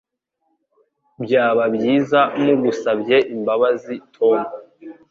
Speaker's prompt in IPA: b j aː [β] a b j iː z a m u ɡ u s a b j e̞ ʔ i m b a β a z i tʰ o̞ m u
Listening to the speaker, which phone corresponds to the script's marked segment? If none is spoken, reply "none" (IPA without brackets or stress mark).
β